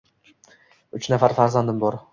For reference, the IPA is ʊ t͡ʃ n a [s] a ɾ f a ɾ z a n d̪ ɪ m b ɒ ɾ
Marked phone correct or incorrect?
incorrect